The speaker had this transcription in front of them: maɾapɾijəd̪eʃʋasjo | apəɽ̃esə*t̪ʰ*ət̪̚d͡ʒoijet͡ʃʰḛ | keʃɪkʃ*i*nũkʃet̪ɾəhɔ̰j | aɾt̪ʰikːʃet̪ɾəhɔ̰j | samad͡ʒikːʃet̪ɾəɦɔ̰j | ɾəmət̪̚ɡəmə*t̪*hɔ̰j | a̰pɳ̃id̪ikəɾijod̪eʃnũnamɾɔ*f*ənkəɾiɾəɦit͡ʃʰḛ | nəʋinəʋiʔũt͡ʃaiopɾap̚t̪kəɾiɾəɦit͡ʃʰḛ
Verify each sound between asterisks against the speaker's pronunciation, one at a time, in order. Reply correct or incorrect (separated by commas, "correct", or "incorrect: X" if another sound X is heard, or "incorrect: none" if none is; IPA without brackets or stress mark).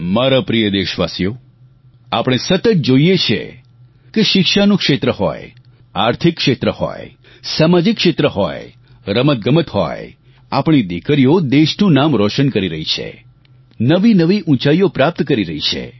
incorrect: t̪, incorrect: a, correct, incorrect: ʃ